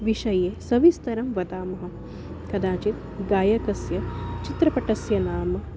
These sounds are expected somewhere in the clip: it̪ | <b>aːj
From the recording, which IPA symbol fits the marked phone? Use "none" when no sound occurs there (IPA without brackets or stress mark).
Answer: ɡ